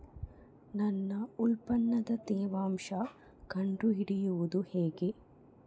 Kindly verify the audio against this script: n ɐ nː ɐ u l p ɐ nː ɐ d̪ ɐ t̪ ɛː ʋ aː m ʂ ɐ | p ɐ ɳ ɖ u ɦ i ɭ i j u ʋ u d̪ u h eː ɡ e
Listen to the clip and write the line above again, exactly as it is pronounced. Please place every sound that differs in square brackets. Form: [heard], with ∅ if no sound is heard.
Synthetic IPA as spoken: n ɐ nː ɐ u l p ɐ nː ɐ d̪ ɐ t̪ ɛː ʋ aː m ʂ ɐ | [k] ɐ ɳ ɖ u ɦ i [ɽ] i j u ʋ u d̪ u h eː ɡ e